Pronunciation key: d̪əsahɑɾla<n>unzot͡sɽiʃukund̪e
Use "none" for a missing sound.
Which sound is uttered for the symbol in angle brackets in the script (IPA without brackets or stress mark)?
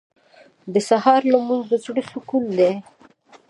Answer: m